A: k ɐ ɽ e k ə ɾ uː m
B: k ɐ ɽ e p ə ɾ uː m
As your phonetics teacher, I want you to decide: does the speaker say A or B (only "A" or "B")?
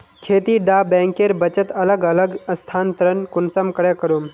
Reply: A